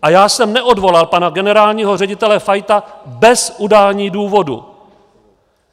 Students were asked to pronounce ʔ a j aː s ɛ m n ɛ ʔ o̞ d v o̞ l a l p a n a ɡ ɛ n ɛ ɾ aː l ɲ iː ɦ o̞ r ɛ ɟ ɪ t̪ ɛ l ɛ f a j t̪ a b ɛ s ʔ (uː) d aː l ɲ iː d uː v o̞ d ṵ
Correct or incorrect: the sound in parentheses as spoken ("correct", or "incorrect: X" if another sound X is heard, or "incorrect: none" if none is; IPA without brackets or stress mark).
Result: incorrect: u